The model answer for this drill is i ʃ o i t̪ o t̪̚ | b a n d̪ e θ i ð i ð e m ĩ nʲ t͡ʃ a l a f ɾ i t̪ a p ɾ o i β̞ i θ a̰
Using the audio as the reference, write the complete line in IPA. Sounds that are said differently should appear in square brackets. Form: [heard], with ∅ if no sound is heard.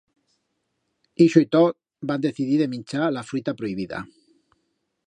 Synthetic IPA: i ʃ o i t̪ o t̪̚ | b a n d̪ e θ i ð i ð e m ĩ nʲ t͡ʃ a l a f ɾ i t̪ a p ɾ o i β̞ i [ð] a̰